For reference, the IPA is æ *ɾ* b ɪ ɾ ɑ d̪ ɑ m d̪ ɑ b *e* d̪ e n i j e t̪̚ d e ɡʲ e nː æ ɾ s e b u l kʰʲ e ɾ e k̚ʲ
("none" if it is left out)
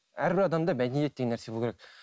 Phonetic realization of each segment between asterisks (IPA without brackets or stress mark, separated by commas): ɾ, æ